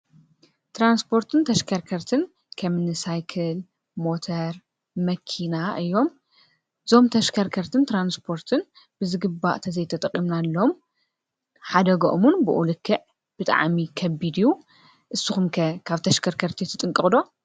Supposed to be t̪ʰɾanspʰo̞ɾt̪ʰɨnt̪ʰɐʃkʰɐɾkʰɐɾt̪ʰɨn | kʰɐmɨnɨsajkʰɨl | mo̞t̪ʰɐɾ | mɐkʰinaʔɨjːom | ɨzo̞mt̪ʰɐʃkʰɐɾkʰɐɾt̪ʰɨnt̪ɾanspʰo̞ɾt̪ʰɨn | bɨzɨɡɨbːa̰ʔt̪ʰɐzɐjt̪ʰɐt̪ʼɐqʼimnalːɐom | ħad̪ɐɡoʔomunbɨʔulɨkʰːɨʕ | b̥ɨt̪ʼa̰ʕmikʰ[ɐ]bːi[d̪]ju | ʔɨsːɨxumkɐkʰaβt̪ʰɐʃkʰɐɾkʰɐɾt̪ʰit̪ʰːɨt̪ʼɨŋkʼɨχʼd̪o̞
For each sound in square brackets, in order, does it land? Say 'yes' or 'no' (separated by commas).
yes, yes